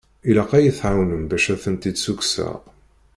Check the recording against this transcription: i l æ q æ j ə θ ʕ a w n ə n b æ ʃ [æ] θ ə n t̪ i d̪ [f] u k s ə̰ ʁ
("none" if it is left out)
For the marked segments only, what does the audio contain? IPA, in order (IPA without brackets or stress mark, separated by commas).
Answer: æ, s